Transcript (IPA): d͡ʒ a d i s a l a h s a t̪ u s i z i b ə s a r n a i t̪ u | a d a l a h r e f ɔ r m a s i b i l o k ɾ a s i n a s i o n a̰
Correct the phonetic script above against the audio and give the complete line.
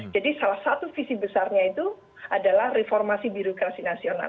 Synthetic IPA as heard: d͡ʒ a d i s a l a h s a t̪ u f i s i b ə s a r ɲ a i t̪ u | a d a l a h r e f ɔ r m a s i b i ɾ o k ɾ a s i n a s i o n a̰